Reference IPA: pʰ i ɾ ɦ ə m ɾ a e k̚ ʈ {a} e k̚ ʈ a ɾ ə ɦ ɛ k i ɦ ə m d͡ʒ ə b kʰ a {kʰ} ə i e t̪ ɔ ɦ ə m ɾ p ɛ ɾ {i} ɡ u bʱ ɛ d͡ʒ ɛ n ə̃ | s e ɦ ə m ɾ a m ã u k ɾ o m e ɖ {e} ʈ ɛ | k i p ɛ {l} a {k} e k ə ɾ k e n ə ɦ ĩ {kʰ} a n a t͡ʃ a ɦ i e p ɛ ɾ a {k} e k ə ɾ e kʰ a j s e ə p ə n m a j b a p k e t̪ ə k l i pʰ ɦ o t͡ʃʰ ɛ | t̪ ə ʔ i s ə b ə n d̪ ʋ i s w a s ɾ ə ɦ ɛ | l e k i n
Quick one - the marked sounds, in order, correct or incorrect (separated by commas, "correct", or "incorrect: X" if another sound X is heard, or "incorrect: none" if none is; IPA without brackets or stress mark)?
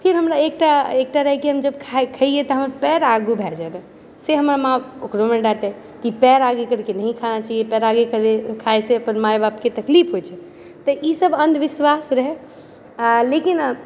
correct, correct, incorrect: a, incorrect: a, incorrect: ɾ, incorrect: ɡ, correct, incorrect: ɡ